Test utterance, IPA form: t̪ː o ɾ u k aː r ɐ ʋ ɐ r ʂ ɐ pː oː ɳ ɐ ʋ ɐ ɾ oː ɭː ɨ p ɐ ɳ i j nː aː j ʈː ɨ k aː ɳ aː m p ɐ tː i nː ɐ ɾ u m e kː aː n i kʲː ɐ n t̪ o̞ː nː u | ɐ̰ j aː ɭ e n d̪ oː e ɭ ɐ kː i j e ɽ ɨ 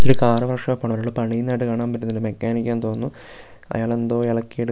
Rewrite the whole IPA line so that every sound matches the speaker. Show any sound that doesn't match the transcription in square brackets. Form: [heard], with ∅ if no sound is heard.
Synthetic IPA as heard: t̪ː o ɾ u k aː r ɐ ʋ ɐ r ʂ ɐ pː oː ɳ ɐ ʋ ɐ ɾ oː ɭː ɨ p ɐ ɳ i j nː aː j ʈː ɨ k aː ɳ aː m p ɐ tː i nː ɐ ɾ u m e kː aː n i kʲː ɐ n t̪ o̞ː nː u | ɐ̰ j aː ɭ e n d̪ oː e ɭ ɐ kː i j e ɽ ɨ